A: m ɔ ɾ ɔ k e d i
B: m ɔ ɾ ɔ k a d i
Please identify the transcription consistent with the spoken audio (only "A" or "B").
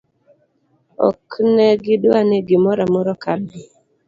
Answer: B